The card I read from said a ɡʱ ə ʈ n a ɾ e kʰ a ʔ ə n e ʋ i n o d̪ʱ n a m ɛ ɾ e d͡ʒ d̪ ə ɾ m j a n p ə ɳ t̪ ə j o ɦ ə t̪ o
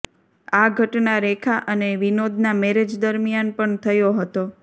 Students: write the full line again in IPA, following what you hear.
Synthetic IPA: a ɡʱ ə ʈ n a ɾ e kʰ a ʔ ə n e ʋ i n o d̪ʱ n a m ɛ ɾ e d͡ʒ d̪ ə ɾ m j a n p ə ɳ t̪ʰ ə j o ɦ ə t̪ o

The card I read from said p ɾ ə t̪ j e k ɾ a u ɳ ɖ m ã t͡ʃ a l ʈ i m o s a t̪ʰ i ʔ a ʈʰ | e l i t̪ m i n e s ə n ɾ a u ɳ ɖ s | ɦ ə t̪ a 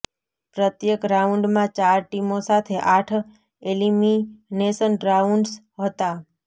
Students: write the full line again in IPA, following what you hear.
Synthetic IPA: p ɾ ə t̪ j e k ɾ a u ɳ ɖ m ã t͡ʃ a ɾ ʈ i m o s a t̪ʰ e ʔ a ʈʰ | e l i m i n e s ə n ɾ a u ɳ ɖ s | ɦ ə t̪ a

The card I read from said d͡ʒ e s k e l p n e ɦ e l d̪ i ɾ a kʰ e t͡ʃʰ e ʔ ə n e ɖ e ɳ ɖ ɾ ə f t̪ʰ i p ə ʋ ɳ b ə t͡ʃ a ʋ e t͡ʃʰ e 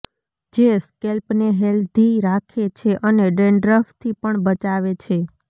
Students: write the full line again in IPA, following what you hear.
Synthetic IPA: d͡ʒ e s k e l p n e ɦ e l d̪ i ɾ a kʰ e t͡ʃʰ e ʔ ə n e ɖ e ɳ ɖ ɾ ə f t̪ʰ i p ə ɳ b ə t͡ʃ a ʋ e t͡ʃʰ e

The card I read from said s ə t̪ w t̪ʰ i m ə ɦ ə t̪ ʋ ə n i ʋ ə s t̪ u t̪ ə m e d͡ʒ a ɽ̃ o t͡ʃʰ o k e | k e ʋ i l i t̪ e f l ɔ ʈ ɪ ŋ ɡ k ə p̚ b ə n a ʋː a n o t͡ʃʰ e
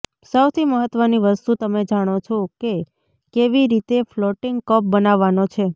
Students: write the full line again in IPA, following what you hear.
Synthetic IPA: s ə w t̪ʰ i m ə ɦ ə t̪ ʋ ə n i ʋ ə s t̪ u t̪ ə m e d͡ʒ a ɽ̃ o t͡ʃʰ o k e | k e ʋ i ɾ i t̪ e f l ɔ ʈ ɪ ŋ ɡ k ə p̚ b ə n a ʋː a n o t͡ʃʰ e

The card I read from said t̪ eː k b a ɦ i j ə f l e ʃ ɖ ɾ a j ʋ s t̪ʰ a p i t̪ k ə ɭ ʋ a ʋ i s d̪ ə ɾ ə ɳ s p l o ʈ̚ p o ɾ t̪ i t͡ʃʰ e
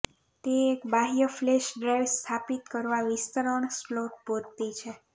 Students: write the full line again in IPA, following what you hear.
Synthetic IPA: t̪ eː k b a ɦ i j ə f l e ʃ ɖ ɾ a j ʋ s t̪ʰ a p i t̪ k ə ɾ ʋ a ʋ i s t̪ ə ɾ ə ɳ s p l o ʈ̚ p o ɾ t̪ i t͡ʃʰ e

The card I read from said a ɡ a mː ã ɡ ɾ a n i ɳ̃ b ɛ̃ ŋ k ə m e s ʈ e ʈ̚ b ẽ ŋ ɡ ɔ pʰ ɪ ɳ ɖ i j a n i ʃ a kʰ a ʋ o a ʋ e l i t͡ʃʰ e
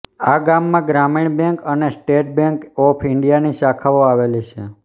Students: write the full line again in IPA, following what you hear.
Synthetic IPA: a ɡ a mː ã ɡ ɾ a m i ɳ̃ b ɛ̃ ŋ k ə n e s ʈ e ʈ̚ b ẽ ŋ k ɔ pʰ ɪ ɳ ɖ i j a n i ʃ a kʰ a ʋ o a ʋ e l i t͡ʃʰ e

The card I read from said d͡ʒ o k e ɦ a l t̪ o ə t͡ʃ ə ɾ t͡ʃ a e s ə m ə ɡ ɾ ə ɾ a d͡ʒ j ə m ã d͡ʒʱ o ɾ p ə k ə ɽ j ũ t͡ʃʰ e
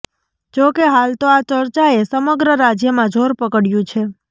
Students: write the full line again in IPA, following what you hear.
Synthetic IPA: d͡ʒ o k e ɦ a l t̪ o a t͡ʃ ə ɾ t͡ʃ a e s ə m ə ɡ ɾ ə ɾ a d͡ʒ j ə m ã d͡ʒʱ o ɾ p ə k ə ɽ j ũ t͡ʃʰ e

